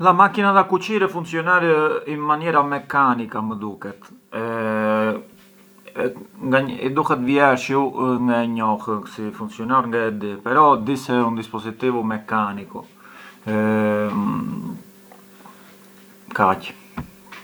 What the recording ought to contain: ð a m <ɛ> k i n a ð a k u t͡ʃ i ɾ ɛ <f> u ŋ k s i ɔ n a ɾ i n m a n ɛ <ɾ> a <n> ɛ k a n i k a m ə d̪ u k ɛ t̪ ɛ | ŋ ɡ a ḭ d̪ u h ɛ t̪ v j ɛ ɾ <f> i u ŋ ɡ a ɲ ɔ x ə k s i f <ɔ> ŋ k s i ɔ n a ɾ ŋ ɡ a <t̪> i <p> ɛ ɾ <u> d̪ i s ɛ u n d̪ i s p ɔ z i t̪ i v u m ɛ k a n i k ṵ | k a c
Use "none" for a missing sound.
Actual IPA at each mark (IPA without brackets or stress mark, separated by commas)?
a, f, ɾ, m, ʃ, u, d̪, p, ɔ